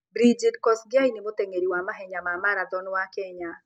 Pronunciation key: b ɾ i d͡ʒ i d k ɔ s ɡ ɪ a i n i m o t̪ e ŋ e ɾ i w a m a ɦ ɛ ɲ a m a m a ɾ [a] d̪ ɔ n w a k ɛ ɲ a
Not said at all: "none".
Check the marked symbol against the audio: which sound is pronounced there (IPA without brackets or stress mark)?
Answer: a